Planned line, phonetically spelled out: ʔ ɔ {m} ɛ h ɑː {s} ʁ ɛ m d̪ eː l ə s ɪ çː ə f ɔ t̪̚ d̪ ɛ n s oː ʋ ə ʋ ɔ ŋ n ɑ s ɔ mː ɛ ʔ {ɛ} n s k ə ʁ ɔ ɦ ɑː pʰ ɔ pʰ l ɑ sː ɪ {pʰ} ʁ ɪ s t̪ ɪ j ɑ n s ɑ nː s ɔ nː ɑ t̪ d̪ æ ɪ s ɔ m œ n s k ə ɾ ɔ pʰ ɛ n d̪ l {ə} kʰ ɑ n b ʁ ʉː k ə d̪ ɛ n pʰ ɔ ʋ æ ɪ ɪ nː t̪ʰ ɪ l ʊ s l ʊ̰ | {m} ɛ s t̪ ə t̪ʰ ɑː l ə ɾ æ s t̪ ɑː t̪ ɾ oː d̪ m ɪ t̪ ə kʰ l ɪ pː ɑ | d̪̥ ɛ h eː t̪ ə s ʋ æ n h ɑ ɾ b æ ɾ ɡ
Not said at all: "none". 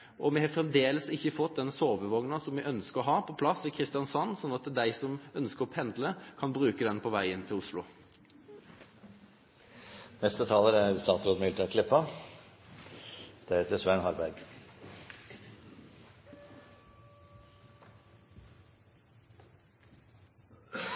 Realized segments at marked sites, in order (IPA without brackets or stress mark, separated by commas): m, f, œ, kʰ, ə, n